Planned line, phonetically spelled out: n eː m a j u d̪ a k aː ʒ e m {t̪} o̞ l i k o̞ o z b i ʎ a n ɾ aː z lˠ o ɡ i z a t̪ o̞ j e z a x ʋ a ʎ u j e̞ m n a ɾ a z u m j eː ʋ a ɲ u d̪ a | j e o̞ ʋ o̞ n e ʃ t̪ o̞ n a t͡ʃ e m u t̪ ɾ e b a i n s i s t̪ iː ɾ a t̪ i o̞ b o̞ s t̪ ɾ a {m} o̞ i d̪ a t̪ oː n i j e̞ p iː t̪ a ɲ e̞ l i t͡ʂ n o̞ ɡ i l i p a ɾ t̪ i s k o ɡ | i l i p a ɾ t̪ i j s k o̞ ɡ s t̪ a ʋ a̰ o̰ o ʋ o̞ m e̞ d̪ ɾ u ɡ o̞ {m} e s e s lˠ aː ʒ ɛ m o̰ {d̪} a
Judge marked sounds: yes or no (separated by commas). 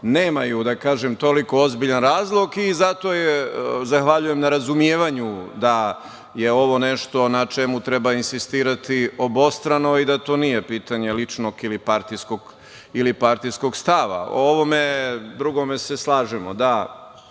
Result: yes, no, yes, yes